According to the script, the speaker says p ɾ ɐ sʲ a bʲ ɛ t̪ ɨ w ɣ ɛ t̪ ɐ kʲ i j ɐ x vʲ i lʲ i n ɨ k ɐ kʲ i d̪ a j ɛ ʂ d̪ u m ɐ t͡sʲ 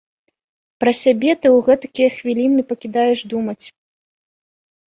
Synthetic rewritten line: p ɾ ɐ sʲ a bʲ ɛ t̪ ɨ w ɣ ɛ t̪ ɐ kʲ i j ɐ x vʲ i lʲ i n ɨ p ɐ kʲ i d̪ a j ɛ ʂ d̪ u m ɐ t͡sʲ